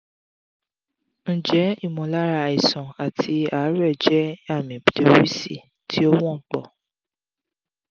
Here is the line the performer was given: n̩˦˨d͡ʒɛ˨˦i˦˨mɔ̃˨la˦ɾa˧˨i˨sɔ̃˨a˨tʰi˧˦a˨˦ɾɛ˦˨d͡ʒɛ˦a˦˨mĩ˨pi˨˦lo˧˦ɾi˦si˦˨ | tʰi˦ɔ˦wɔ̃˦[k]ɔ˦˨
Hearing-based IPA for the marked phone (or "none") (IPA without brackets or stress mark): k͡p